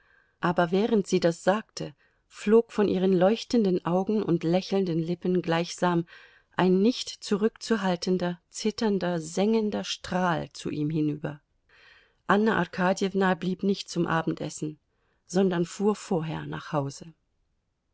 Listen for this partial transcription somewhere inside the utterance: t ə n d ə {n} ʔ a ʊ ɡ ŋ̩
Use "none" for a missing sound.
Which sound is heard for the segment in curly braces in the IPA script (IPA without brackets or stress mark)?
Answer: n